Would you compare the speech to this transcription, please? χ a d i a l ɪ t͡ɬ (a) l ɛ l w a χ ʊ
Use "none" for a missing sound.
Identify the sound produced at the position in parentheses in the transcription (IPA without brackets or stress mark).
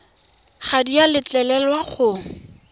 ɛ